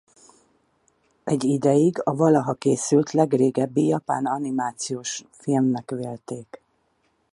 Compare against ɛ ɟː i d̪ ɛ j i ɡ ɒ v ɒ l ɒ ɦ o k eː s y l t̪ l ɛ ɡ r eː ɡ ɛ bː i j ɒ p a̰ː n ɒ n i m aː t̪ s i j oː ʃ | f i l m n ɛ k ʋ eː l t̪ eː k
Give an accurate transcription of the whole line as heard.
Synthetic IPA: ɛ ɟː i d̪ ɛ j i ɡ ɒ v ɒ l ɒ ɦ ɒ k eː s y l t̪ l ɛ ɡ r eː ɡ ɛ bː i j ɒ p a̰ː n ɒ n i m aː t̪ s i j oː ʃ | f i l m n ɛ k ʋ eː l t̪ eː k